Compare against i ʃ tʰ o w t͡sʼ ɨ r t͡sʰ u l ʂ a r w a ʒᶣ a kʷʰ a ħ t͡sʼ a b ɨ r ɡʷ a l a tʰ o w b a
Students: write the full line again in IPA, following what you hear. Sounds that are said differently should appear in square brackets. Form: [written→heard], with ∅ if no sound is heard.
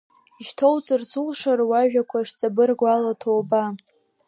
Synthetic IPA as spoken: i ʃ tʰ o w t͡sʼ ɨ r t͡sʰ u l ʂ a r w a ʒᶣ a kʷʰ a [ħ→ʂ] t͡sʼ a b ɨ r ɡʷ a l a tʰ o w b a